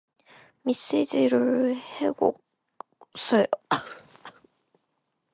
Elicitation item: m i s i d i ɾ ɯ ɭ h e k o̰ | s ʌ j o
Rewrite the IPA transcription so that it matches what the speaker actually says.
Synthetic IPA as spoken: m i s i d͡ʑ i ɾ ɯ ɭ h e ɡ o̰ | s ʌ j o